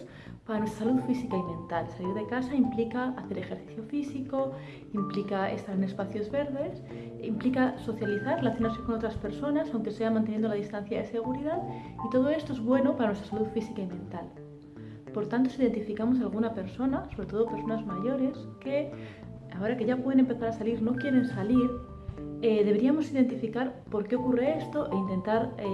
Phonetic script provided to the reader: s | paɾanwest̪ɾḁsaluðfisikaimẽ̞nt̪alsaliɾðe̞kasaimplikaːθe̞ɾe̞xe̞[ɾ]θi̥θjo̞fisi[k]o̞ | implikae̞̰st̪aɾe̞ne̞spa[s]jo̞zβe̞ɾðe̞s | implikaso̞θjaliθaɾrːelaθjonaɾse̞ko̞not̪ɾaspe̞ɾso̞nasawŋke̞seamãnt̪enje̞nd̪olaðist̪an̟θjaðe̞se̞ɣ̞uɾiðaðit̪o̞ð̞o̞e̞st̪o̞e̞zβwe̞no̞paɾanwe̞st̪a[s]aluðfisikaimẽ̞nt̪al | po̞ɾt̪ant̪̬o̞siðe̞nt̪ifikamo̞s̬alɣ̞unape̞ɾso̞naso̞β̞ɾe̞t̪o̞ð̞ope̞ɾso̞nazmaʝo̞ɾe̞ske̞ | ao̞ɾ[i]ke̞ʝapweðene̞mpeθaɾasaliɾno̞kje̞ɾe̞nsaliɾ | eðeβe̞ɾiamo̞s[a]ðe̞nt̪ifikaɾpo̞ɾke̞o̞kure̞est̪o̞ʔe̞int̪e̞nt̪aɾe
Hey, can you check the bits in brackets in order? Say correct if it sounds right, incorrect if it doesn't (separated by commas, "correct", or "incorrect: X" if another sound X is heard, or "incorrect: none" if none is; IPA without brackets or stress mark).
correct, correct, incorrect: θ, correct, incorrect: a, incorrect: i